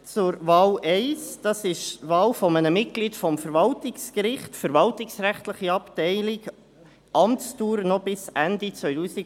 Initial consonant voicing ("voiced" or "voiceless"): voiceless